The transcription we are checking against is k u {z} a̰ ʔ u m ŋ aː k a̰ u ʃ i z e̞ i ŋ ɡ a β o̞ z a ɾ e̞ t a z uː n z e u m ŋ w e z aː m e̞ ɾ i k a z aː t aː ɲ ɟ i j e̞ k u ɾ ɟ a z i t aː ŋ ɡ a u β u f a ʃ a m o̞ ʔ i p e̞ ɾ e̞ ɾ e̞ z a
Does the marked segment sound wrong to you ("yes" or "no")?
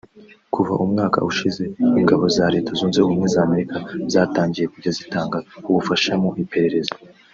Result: yes